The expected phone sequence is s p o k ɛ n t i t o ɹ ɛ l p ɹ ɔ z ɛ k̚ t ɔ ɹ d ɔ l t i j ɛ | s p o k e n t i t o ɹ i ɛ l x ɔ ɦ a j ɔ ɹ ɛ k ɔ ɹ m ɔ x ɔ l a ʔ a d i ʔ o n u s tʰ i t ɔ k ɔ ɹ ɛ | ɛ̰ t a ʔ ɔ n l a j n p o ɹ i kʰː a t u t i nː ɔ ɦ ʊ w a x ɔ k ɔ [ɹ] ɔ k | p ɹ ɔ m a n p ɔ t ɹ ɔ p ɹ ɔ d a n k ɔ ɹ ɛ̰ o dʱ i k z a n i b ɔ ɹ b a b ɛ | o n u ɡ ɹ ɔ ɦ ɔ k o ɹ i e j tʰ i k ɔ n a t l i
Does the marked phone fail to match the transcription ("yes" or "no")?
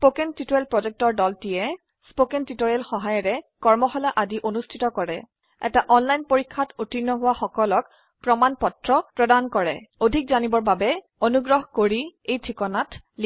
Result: yes